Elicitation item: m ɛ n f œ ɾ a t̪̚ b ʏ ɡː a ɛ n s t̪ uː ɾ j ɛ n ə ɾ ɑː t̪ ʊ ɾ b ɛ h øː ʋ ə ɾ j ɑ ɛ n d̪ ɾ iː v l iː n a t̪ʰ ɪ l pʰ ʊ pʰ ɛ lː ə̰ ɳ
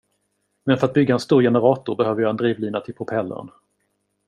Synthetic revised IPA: m ɛ n f œ ɾ a t̪̚ b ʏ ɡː a ɛ n s t̪ uː ɾ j ɛ n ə ɾ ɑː t̪ ʊ ɾ b ɛ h øː v ə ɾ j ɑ ɛ n d̪ ɾ iː v l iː n a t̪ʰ ɪ l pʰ ʊ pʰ ɛ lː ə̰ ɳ